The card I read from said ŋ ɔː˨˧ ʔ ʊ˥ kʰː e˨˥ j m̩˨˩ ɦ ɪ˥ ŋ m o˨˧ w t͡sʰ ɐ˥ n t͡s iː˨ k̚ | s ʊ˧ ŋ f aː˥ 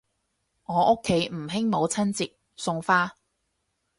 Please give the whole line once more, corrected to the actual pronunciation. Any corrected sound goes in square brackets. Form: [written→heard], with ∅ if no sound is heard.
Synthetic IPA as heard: ŋ ɔː˨˧ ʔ ʊ˥ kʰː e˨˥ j m̩˨˩ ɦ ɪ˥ ŋ m o˨˧ w t͡sʰ ɐ˥ n t͡s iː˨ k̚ | s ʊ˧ ŋ f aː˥